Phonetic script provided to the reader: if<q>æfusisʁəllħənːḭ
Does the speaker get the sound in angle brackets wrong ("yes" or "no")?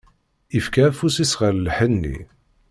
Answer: yes